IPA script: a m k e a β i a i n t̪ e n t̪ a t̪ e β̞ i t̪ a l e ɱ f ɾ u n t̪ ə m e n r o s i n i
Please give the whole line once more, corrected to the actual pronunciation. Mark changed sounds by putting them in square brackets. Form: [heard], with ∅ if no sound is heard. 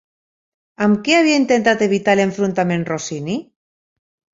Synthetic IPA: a m k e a β i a i n t̪ e n t̪ a t̪ e β̞ i t̪ a l e ɱ f ɾ u n t̪ [a] m e n r o s i n i